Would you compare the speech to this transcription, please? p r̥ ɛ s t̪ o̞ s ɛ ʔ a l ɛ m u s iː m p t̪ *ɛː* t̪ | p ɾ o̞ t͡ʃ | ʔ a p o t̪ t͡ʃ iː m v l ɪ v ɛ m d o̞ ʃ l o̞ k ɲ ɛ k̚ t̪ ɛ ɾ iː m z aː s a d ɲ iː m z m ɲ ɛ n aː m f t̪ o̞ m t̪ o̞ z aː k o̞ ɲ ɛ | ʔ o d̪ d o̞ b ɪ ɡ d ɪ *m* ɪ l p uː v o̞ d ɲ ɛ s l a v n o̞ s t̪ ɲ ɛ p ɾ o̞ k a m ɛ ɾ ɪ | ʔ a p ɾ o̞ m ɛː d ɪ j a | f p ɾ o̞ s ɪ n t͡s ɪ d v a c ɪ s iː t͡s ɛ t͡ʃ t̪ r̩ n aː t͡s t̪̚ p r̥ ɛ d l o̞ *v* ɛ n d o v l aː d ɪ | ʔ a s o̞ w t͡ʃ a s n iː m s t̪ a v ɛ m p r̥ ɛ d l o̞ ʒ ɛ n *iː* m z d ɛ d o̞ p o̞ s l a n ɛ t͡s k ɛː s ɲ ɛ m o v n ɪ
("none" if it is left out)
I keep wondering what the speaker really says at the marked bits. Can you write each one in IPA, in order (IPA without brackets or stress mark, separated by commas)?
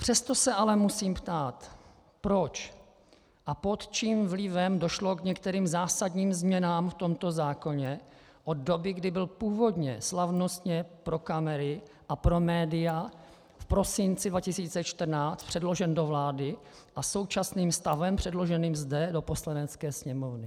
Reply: aː, b, ʒ, iː